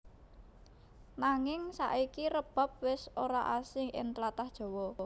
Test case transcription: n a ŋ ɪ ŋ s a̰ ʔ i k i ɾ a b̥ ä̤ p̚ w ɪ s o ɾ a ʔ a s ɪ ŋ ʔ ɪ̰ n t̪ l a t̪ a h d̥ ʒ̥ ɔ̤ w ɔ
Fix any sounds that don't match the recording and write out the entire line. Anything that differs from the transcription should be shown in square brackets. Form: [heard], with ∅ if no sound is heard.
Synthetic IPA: n a ŋ ɪ ŋ s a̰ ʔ i k i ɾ [ə] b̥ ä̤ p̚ w ɪ s o ɾ a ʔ a s ɪ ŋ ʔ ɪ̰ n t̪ l a t̪ a h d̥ ʒ̥ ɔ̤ w ɔ